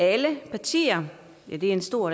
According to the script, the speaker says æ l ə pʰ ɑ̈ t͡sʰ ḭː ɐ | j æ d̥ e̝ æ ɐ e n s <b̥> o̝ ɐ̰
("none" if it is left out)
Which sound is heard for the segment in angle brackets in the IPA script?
d̥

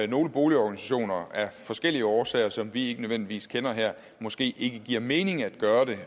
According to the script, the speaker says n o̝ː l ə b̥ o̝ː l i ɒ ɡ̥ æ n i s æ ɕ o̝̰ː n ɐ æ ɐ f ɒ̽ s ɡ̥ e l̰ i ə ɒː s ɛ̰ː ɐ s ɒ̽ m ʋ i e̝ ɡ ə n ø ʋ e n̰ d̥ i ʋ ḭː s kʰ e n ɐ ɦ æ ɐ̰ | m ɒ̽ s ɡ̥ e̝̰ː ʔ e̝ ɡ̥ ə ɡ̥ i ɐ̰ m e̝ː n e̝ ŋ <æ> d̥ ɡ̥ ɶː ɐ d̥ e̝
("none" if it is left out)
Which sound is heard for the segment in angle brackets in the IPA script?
æ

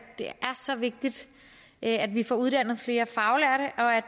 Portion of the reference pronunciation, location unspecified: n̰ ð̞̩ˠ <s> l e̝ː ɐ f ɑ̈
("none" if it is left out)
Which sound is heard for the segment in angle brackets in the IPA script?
f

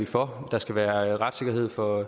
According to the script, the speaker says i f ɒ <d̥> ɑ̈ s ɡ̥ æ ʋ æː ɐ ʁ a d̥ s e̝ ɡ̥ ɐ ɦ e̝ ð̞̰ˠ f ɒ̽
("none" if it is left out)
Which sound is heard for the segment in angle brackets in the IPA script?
d̥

